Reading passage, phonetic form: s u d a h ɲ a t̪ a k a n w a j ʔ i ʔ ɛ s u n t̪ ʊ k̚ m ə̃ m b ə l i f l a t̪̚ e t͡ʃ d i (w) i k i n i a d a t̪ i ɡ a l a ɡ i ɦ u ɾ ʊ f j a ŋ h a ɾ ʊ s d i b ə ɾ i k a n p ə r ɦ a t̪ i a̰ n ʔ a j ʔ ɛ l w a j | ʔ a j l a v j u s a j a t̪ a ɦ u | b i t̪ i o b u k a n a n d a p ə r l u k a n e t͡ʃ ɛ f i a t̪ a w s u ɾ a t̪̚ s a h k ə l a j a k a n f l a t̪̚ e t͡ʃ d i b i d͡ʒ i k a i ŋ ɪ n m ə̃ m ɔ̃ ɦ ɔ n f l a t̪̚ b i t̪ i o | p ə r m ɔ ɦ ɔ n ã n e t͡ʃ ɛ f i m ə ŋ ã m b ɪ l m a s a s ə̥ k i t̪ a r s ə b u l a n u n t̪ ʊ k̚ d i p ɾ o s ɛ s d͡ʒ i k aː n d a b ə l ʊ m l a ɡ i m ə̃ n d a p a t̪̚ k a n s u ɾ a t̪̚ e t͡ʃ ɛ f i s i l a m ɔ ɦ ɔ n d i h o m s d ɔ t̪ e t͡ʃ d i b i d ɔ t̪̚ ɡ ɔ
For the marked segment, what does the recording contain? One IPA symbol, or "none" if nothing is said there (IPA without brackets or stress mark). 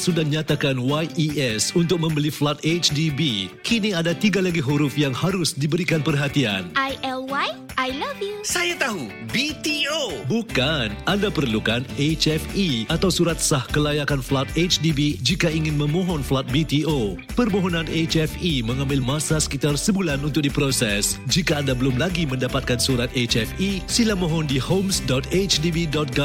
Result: b